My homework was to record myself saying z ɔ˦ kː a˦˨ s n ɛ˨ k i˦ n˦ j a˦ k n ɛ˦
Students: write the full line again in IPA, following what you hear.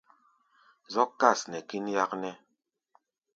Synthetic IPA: z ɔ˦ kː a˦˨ s n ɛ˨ k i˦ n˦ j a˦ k n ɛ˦